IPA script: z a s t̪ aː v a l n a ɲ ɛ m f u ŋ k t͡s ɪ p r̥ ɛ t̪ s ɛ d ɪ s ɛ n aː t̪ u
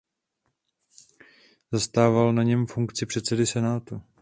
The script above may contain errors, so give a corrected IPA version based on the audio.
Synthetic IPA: z a s t̪ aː v a l n a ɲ ɛ m f u ŋ k t͡s ɪ p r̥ ɛ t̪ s ɛ d ɪ s ɛ n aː t̪ u